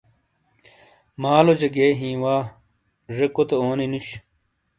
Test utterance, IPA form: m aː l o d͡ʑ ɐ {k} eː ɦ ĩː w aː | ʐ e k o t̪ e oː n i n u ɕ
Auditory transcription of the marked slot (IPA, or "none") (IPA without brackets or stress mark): ɡ